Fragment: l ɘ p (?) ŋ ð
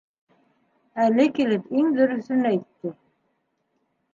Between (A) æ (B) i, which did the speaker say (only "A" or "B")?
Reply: B